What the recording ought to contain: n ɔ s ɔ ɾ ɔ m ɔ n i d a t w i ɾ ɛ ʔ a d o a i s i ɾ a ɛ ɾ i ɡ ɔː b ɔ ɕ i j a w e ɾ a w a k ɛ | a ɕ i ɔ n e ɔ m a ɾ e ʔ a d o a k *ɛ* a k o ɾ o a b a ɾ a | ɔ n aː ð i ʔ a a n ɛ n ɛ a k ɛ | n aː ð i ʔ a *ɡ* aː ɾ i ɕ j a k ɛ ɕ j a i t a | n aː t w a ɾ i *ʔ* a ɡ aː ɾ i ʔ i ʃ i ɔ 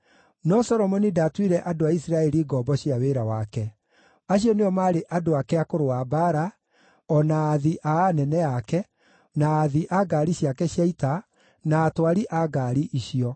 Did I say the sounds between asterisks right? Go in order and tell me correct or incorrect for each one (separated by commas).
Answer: correct, correct, correct